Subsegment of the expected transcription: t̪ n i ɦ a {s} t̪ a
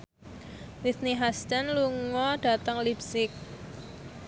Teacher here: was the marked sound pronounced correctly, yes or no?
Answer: yes